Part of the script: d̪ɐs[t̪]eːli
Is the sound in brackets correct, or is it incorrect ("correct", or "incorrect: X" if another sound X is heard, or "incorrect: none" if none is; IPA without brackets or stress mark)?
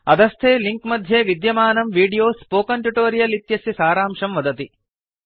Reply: incorrect: t̪ʰ